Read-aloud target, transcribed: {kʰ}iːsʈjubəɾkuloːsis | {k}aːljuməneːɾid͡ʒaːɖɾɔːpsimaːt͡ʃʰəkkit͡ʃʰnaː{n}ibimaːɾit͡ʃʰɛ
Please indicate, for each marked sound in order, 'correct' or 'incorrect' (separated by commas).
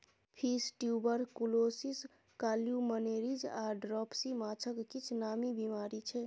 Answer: incorrect, correct, incorrect